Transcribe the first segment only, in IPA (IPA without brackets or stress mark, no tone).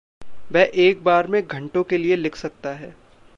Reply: ʋ